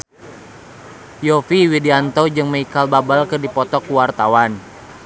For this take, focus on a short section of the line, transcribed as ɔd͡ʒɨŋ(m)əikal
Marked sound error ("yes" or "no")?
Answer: no